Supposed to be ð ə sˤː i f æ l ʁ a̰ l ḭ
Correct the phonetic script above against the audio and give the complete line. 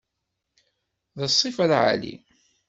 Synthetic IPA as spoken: ð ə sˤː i f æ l ʕ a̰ l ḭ